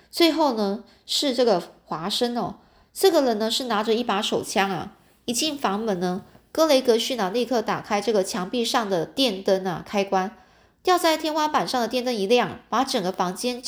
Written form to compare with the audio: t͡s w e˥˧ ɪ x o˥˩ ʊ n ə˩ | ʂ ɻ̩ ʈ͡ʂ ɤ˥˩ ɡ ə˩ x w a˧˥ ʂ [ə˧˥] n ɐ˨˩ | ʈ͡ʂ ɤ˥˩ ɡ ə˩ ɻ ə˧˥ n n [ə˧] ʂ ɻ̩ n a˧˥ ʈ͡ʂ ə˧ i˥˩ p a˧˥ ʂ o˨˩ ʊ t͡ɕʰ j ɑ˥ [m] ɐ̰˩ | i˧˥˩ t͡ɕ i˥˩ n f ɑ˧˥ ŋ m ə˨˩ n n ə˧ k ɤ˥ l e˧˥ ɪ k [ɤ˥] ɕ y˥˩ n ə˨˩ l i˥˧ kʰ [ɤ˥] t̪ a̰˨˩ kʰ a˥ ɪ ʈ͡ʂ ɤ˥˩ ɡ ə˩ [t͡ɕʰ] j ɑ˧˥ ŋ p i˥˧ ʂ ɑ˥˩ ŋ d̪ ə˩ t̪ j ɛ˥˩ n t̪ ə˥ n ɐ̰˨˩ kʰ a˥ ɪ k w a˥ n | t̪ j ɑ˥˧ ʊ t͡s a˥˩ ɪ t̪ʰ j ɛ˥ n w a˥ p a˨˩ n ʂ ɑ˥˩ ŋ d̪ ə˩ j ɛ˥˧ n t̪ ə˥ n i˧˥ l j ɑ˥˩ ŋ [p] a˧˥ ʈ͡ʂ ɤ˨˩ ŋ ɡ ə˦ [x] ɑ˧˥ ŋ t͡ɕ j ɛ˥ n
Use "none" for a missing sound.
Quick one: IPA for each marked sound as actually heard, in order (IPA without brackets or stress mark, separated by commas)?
ə˥, ə˧, ŋ, ɤ˧˥, ɤ˥˩, t͡ɕʰ, p, f